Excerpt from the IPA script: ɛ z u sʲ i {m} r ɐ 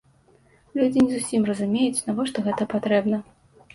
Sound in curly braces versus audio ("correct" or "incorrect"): correct